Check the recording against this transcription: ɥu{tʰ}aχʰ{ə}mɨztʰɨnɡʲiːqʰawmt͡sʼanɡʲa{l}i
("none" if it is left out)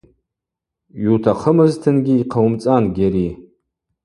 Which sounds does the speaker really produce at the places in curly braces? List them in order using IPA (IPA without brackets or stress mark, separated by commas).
tʰ, ə, ɾ